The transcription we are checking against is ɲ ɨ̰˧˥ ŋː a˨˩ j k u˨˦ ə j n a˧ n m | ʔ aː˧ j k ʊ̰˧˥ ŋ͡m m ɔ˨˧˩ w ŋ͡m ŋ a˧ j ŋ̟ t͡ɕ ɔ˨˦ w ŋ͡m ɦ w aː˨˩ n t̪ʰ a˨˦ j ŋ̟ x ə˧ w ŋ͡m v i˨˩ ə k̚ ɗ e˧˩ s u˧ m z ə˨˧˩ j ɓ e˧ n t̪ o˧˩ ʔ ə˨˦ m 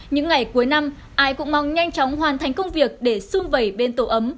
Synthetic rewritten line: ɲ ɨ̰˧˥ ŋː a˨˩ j k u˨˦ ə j n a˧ m | ʔ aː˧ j k ʊ̰˧˥ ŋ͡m m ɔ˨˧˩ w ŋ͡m ɲ a˧ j ŋ̟ t͡ɕ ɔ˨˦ w ŋ͡m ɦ w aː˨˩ n t̪ʰ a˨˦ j ŋ̟ k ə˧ w ŋ͡m v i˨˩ ə k̚ ɗ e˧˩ s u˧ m v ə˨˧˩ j ɓ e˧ n t̪ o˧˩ ʔ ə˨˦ m